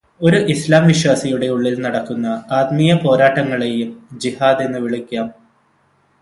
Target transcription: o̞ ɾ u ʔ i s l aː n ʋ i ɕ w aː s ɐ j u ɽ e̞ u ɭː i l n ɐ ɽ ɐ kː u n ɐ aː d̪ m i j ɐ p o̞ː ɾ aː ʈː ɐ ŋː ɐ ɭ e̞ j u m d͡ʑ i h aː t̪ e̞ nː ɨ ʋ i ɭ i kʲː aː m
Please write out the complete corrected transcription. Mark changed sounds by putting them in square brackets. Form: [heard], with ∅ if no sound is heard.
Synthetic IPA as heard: o̞ ɾ u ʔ i s l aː [m] ʋ i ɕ w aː s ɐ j u ɽ e̞ u ɭː i l n ɐ ɽ ɐ kː u [nː] ɐ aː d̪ m i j ɐ p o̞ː ɾ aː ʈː ɐ ŋː ɐ ɭ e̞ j u m d͡ʑ i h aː [d̪] e̞ nː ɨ ʋ i ɭ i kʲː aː m